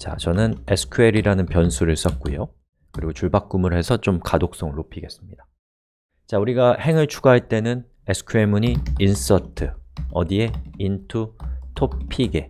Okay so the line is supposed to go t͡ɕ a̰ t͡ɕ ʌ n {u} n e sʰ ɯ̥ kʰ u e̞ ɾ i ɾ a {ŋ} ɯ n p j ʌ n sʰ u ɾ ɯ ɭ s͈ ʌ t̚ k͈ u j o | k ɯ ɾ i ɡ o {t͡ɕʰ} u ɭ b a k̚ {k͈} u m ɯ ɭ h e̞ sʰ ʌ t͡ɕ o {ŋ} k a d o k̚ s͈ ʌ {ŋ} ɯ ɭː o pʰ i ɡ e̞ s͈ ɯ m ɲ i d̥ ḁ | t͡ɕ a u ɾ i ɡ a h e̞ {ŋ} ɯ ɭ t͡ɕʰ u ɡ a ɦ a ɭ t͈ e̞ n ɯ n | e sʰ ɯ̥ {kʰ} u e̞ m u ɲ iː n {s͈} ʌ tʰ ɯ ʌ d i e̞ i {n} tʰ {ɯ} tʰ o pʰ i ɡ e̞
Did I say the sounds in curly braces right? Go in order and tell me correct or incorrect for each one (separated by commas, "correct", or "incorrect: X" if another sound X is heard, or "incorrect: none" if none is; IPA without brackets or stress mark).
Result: incorrect: ɯ, incorrect: n, incorrect: t͡ɕ, correct, incorrect: m, correct, correct, correct, correct, correct, incorrect: u